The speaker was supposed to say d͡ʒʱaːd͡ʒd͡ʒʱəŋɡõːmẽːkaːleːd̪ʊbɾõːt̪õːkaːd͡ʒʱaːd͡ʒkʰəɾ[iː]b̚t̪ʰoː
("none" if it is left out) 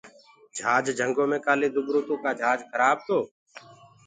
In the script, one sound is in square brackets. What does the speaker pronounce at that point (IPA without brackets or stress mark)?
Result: aː